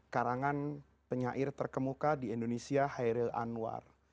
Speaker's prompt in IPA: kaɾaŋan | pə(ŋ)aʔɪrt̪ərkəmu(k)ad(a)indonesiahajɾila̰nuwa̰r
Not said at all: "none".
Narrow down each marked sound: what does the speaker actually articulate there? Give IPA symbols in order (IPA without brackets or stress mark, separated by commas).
ɲ, k, i